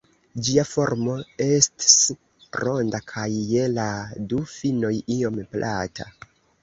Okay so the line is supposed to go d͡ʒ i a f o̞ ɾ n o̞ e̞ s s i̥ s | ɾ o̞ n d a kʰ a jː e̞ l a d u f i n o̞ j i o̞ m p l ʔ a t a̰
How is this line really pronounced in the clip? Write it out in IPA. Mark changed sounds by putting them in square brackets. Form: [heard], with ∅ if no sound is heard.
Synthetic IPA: d͡ʒ i a f o̞ ɾ [m] o̞ e̞ s [t] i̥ s | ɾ o̞ n d a kʰ a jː e̞ l a d u f i n o̞ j i o̞ m p l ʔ a t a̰

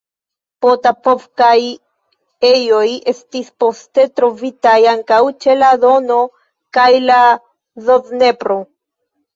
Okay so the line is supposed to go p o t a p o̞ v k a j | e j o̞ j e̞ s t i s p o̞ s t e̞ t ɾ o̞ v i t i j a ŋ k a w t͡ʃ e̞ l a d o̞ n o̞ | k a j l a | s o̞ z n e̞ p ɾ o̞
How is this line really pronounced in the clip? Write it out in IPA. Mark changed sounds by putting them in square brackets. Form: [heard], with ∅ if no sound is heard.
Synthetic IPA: p o t a p o̞ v k a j | e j o̞ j e̞ s t i s p o̞ s t e̞ t ɾ o̞ v i t [a] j a ŋ k a w t͡ʃ e̞ l a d o̞ n o̞ | k a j l a | [z] o̞ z n e̞ p ɾ o̞

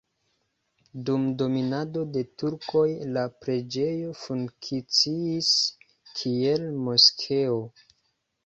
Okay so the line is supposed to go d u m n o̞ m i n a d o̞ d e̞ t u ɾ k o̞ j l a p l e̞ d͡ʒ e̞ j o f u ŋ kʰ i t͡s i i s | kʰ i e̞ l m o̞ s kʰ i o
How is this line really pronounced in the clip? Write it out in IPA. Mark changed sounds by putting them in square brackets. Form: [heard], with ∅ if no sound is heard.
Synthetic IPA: d u m [d] o̞ m i n a d o̞ d e̞ t u ɾ k o̞ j l a p [ɾ] e̞ d͡ʒ e̞ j o f u ŋ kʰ i t͡s i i s | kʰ i e̞ l m o̞ s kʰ [e] o

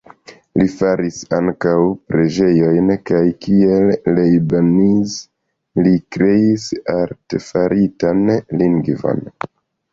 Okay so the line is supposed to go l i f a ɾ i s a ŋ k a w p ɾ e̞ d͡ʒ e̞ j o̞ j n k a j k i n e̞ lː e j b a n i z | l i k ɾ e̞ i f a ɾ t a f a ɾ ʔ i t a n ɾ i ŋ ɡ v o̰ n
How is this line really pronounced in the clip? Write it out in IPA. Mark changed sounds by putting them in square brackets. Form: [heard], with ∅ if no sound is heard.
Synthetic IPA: l i f a ɾ i s a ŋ k a w p ɾ e̞ d͡ʒ e̞ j o̞ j n k a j k i [∅] e̞ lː e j b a n i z | l i k ɾ e̞ i [s] a ɾ t [e] f a ɾ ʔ i t a n [l] i ŋ ɡ v o̰ n

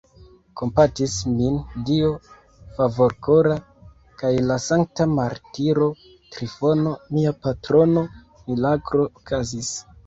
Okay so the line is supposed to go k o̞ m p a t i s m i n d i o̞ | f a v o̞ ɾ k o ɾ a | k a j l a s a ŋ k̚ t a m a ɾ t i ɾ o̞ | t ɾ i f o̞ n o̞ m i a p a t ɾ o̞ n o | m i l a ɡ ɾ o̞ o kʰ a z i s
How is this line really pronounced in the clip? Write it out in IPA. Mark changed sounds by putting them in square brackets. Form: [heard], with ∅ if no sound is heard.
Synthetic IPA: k o̞ m p a t i s m i n d i o̞ | f a v o̞ ɾ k o ɾ a | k a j l a s a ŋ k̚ t a m a ɾ t i ɾ o̞ | t ɾ i f o̞ n o̞ m i a p a t ɾ o̞ n o | m i l a ɡ ɾ o̞ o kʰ a z i s

